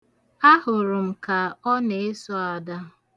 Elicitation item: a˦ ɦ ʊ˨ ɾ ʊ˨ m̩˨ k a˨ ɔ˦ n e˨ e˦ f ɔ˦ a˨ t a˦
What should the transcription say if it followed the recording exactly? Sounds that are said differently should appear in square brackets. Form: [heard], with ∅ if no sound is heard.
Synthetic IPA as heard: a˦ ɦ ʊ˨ ɾ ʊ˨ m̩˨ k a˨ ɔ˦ n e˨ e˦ [s] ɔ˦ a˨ [d] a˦